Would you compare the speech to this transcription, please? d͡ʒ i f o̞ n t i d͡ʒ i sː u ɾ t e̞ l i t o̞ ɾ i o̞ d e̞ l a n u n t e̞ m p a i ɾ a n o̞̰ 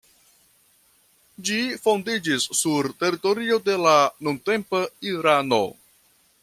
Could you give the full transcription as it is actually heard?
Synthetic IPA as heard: d͡ʒ i f o̞ n d i d͡ʒ i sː u ɾ t e̞ ɾ i t o̞ ɾ i o̞ d e̞ l a n u n t e̞ m p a i ɾ a n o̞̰